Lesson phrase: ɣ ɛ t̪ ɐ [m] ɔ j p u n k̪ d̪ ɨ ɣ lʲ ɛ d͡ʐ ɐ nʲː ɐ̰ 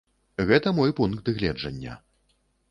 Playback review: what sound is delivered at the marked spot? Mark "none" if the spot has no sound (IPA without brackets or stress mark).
m